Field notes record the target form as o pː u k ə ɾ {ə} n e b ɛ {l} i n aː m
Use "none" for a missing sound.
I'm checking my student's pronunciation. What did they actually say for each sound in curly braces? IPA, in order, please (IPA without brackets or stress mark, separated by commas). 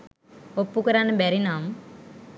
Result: a, ɾ